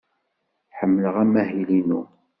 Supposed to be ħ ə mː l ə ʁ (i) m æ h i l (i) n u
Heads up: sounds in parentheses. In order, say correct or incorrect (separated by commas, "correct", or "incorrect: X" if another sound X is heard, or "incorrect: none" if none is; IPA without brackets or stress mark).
incorrect: æ, correct